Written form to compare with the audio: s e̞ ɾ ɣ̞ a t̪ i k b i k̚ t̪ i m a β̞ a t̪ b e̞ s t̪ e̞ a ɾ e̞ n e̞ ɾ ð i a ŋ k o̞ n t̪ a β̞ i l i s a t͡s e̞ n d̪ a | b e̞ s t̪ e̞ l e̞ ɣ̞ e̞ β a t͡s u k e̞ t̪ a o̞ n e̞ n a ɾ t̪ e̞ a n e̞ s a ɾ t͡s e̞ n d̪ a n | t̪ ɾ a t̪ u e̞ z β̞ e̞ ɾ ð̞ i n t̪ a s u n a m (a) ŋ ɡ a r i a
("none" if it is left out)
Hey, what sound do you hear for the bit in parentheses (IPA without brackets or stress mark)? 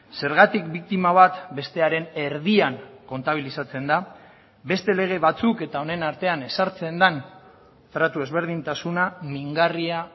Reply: i